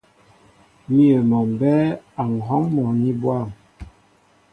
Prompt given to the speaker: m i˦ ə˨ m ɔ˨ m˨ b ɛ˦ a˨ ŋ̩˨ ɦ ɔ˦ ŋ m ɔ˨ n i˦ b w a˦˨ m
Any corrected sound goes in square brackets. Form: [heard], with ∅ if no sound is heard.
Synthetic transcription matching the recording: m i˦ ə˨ m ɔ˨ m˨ b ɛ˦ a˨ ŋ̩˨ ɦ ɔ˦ ŋ m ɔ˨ n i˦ b w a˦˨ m